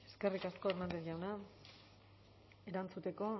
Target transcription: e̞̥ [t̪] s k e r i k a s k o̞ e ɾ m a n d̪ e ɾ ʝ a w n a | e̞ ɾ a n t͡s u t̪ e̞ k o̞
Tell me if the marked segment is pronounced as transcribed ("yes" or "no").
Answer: no